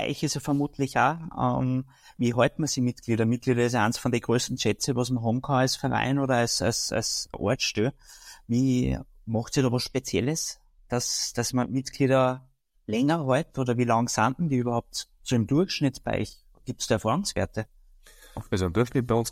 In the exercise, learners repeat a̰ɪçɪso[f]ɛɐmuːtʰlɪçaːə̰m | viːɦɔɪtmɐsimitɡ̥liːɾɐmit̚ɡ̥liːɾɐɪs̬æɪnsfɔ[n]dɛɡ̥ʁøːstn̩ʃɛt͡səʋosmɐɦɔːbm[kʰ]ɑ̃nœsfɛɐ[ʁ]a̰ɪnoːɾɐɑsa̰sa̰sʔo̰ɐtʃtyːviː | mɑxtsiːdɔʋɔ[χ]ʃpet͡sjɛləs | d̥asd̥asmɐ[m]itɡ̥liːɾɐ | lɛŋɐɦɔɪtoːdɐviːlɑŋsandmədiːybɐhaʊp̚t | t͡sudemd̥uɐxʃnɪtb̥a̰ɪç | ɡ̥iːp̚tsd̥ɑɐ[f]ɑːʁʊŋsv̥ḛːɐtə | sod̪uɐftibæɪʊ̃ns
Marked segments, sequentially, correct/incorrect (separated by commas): correct, correct, correct, correct, incorrect, correct, correct